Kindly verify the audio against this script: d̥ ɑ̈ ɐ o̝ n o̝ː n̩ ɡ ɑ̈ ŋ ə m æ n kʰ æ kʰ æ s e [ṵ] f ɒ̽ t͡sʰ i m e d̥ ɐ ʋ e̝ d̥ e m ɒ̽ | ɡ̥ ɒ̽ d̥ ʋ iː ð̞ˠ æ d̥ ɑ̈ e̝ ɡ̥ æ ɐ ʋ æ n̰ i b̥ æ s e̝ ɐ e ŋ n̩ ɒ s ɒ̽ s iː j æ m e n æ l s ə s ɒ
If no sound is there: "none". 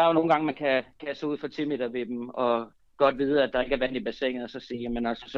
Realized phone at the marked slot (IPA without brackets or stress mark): ṵ